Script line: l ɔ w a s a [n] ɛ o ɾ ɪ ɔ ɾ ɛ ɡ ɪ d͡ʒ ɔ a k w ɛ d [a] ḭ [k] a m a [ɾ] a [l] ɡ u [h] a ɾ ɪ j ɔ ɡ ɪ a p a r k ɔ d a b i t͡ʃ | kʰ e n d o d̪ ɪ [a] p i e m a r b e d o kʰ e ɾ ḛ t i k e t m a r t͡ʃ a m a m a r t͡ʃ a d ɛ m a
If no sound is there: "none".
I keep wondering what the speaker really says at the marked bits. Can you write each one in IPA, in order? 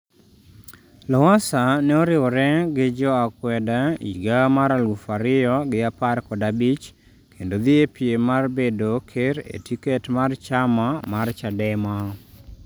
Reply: n, a, ɡ, ɾ, l, f, e

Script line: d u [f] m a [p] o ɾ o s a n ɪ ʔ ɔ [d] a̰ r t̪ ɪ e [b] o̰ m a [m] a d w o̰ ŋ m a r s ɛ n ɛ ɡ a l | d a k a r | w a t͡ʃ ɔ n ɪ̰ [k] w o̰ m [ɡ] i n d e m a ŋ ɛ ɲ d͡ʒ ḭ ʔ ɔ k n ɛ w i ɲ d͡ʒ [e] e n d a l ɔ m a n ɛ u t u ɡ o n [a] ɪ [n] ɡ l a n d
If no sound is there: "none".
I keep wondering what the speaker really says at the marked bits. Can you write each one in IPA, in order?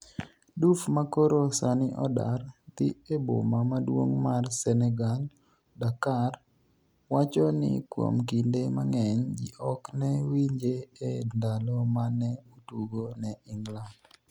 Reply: f, k, d, b, m, k, k, e, ɛ, ŋ

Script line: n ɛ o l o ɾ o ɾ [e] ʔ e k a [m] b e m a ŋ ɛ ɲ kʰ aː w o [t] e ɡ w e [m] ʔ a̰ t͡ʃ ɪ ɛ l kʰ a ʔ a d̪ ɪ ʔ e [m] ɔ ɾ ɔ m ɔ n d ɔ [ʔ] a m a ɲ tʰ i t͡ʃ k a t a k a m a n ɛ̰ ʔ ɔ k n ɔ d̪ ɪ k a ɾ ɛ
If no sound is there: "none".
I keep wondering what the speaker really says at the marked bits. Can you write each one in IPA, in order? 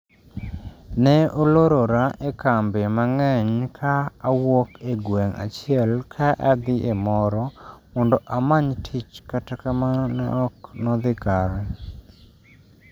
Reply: a, m, k, ŋ, m, ʔ

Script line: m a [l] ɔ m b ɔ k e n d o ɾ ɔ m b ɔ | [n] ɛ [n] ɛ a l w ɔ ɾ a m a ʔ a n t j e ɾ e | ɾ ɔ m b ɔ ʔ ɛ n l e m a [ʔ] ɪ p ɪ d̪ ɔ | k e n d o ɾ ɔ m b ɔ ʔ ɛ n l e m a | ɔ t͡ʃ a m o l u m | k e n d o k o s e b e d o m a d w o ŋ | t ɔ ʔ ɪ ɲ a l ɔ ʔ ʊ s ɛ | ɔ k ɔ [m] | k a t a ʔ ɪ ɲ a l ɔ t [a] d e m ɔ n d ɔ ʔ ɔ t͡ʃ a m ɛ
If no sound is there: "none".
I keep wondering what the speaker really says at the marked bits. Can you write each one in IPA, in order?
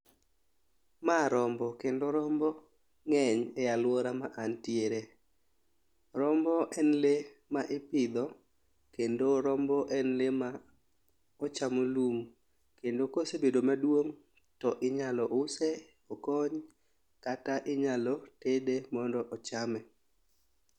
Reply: ɾ, ŋ, ɲ, ʔ, ɲ, e

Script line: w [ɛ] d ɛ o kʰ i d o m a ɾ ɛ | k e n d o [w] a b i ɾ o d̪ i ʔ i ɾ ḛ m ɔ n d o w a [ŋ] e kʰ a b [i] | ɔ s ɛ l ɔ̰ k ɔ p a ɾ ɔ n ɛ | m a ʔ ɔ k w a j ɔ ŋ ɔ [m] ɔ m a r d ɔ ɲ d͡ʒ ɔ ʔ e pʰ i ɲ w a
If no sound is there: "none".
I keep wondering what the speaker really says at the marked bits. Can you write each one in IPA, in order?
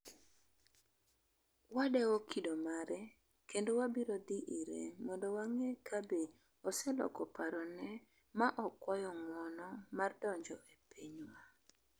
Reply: a, w, ŋ, e, n

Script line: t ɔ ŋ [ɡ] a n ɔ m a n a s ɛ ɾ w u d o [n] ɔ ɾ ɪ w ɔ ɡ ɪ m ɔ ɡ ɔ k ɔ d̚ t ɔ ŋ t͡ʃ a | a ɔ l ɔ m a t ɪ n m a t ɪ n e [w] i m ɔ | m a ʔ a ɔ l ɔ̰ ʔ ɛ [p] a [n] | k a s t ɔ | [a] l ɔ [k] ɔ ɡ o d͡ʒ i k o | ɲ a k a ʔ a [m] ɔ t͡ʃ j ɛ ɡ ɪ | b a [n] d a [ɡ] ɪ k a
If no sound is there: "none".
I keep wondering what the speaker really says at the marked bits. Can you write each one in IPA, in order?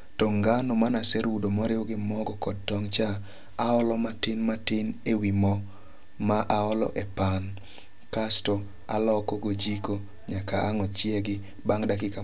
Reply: ɡ, m, w, p, n, a, k, ŋ, ŋ, k

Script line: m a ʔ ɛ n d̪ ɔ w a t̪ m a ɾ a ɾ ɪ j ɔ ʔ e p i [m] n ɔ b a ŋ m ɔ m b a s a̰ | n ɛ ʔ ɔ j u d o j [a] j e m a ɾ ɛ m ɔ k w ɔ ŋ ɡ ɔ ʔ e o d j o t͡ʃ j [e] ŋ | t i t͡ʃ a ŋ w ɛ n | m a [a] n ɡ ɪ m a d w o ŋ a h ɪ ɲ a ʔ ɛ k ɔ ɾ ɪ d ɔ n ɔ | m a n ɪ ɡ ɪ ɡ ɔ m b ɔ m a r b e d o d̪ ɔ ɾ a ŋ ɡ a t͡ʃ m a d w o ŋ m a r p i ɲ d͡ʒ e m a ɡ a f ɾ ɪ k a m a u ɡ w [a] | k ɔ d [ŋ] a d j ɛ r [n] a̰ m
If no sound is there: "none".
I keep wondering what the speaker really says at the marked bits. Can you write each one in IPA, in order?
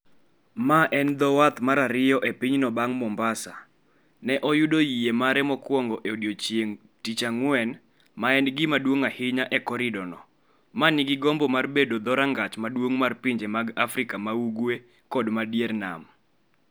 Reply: ɲ, i, e, ɛ, e, m, n

